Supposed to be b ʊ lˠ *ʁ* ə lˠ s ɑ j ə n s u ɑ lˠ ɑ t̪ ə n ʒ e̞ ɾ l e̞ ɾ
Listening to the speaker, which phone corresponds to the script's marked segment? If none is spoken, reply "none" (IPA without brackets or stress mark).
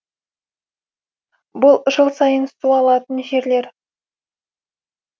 ʒ